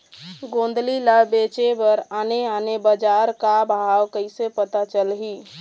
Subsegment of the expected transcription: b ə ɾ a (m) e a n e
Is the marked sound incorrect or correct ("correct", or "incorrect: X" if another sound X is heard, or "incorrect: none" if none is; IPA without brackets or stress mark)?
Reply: incorrect: n